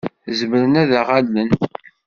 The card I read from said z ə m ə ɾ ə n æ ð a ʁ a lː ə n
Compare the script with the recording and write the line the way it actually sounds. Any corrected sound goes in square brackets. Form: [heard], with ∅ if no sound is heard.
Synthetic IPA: z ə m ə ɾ ə n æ ð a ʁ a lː ə n